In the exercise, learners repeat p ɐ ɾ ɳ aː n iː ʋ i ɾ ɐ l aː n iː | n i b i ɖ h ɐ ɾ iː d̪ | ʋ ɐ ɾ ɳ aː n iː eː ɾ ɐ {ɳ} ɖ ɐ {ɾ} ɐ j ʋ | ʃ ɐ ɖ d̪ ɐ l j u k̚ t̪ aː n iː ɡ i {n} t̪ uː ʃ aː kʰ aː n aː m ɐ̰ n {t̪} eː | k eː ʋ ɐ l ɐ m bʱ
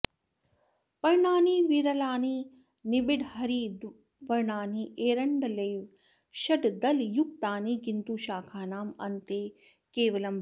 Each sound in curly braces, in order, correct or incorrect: correct, incorrect: l, correct, correct

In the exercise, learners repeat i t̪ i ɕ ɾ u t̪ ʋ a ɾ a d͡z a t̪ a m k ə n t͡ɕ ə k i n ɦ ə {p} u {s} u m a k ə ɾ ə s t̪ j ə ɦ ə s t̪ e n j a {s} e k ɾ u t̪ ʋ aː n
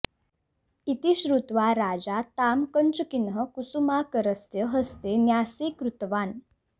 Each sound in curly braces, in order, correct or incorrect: incorrect: k, correct, correct

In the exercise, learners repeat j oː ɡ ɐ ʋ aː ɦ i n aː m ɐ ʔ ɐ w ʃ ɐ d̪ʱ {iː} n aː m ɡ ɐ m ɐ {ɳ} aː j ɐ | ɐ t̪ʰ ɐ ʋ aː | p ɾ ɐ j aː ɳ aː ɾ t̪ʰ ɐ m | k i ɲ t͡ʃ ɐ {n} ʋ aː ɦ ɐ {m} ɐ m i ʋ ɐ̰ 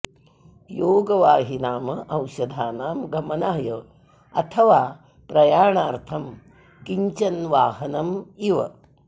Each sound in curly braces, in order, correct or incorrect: incorrect: aː, incorrect: n, correct, incorrect: n

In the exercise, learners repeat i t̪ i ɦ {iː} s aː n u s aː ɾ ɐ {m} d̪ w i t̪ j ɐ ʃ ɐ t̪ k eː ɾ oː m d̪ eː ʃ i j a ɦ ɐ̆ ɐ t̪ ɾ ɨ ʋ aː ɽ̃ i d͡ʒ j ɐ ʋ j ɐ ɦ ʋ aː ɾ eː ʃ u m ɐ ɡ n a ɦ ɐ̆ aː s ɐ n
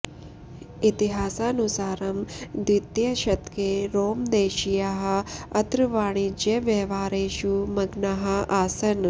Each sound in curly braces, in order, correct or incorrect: incorrect: aː, correct

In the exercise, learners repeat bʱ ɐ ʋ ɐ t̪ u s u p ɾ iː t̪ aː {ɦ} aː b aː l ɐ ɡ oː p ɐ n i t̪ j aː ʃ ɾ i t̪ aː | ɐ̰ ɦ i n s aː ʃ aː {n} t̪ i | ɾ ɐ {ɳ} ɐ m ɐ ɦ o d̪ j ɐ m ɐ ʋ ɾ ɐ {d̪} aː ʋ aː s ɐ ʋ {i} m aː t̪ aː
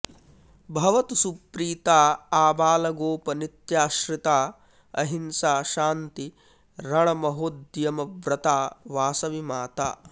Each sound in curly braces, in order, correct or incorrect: incorrect: none, correct, correct, incorrect: t̪, correct

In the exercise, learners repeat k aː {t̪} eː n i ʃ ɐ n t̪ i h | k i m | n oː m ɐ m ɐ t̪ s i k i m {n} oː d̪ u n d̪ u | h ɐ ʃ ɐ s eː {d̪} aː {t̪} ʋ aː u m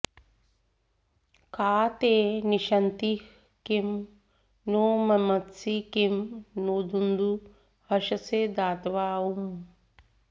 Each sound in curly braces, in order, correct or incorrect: correct, correct, correct, correct

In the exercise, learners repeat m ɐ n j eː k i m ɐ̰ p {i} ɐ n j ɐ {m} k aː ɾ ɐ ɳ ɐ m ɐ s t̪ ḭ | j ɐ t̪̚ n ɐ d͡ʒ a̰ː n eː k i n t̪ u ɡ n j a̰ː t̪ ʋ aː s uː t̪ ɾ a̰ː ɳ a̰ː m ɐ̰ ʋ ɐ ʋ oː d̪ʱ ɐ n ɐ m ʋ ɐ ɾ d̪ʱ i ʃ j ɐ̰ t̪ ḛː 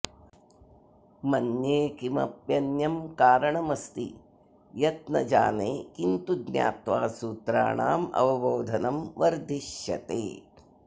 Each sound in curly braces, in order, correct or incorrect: incorrect: j, correct

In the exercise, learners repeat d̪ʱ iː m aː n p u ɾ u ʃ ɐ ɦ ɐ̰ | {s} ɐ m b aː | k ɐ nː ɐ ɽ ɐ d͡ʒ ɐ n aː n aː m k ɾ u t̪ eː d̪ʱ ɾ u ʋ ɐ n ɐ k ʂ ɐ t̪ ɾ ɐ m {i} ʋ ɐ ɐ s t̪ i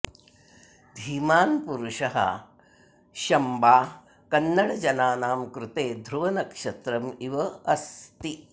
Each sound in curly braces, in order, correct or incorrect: incorrect: ʃ, correct

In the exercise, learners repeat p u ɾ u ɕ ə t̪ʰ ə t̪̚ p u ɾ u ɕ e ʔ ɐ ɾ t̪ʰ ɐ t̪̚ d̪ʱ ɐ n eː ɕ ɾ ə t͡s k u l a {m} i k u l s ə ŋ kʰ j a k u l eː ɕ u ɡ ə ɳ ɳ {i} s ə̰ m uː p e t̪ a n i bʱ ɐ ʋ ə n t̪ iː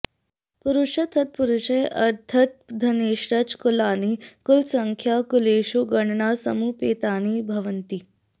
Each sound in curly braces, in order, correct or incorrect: incorrect: n, incorrect: a

